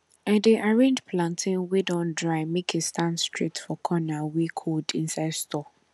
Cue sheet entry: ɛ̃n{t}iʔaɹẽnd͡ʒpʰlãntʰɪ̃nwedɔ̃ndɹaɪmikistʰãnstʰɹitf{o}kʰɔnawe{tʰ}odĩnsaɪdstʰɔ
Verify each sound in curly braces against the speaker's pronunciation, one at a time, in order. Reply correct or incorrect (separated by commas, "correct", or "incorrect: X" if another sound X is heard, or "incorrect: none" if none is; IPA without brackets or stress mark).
incorrect: d, incorrect: ɔ, incorrect: kʰ